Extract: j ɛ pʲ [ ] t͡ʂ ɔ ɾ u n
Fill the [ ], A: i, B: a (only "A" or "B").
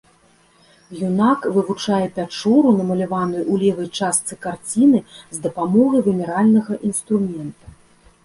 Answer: B